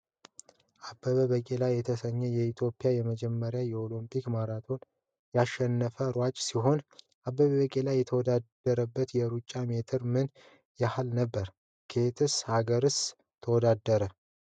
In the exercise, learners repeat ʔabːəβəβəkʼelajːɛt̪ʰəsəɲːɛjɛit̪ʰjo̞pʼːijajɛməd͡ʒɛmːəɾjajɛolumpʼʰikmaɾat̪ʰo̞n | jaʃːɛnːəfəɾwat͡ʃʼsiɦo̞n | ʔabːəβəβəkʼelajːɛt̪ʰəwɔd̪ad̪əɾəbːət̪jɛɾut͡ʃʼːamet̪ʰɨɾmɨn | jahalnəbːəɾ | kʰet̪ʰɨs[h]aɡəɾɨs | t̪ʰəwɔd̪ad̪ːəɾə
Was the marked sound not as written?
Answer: no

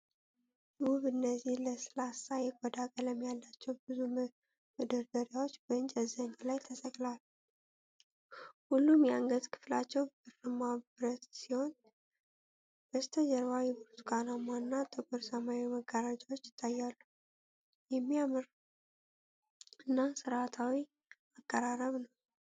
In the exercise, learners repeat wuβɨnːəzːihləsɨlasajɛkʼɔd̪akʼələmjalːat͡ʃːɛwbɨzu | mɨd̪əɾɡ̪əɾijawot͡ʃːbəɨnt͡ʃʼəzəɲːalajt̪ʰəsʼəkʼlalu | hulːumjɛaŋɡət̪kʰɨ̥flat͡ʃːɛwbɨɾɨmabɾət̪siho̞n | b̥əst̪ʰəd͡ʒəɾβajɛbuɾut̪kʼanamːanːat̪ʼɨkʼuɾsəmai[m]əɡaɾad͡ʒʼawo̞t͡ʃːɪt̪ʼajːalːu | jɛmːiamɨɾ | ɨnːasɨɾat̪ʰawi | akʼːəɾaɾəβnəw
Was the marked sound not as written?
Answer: no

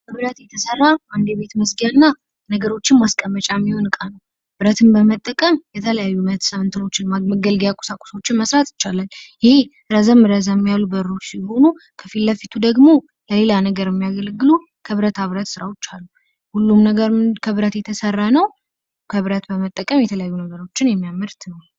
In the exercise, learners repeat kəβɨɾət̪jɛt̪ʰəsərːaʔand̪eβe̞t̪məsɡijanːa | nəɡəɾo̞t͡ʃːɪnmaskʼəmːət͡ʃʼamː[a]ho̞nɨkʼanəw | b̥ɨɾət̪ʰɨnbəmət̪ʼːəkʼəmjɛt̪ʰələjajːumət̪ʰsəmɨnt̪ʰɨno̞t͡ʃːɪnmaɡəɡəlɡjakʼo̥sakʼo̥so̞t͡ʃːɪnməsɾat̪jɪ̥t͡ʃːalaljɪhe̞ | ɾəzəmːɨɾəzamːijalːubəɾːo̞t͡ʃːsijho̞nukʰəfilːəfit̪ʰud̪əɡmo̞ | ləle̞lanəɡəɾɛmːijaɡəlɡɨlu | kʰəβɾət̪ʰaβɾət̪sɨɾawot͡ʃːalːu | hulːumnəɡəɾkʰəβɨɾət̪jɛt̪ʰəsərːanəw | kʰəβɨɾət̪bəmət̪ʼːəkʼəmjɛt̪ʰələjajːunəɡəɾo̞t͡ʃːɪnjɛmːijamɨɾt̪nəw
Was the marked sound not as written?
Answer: yes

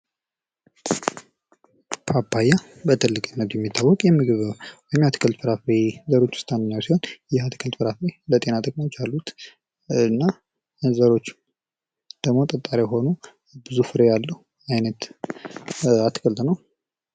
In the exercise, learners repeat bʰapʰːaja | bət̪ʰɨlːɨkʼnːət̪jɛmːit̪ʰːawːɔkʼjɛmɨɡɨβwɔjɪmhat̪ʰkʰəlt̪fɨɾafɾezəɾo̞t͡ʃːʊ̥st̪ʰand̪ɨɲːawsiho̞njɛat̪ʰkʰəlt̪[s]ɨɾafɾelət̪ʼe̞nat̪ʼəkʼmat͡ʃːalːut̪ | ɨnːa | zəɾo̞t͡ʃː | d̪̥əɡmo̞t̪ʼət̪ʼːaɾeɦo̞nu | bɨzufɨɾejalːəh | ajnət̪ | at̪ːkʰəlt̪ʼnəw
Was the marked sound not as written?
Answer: yes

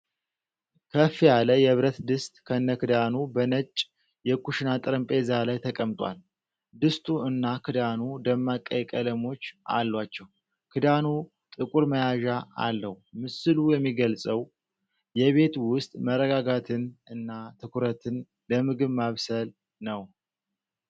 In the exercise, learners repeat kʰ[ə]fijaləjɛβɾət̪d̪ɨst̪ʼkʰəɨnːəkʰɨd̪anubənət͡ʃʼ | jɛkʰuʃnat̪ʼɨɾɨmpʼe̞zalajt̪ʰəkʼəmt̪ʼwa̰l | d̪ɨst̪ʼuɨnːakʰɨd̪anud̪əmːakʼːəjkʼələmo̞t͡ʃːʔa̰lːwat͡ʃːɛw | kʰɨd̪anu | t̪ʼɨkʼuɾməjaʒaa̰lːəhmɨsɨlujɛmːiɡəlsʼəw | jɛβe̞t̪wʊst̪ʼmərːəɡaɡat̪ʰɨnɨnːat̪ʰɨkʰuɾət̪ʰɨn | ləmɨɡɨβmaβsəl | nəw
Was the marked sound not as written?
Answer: no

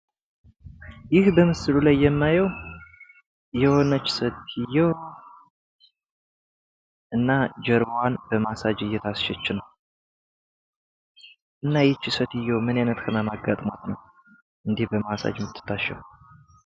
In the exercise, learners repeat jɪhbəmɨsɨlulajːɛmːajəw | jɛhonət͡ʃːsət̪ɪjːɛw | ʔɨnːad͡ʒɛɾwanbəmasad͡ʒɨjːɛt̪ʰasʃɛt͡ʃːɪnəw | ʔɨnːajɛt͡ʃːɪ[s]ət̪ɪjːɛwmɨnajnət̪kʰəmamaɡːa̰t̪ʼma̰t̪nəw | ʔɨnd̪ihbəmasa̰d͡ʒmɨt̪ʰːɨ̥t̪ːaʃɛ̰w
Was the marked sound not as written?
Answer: no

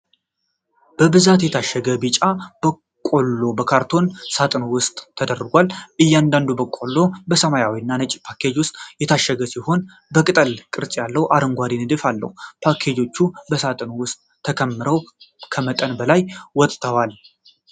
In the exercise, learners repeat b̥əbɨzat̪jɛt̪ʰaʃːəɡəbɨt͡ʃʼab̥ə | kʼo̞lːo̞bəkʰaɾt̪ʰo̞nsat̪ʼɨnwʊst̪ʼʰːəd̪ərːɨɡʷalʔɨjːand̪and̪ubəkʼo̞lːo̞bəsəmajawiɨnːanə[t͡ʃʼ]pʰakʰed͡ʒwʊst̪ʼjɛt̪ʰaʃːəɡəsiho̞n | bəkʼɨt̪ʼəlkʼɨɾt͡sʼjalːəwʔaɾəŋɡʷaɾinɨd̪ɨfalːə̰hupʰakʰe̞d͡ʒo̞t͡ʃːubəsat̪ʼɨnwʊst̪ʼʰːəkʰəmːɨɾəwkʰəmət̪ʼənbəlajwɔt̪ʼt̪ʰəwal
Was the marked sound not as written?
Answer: no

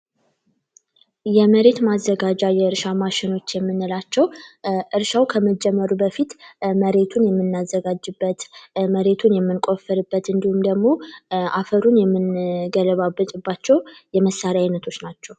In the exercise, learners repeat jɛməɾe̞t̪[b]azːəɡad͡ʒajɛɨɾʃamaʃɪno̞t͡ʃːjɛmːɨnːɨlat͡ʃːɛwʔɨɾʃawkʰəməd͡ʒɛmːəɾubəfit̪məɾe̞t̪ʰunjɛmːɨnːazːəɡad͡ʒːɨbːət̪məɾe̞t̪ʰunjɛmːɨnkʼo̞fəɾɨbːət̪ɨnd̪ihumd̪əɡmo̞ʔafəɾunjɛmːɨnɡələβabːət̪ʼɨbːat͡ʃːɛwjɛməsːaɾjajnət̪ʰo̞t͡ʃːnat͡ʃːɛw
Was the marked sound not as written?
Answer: yes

